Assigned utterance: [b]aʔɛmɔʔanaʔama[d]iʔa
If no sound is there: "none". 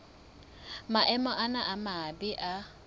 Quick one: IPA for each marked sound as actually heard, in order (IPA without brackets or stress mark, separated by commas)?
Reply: m, b